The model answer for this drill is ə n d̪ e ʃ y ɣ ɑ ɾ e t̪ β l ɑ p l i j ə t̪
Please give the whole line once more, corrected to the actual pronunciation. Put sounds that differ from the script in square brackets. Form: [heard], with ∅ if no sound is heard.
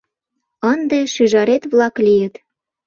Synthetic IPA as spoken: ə n d̪ e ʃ y [ʒ] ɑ ɾ e t̪ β l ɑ [k] l i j ə t̪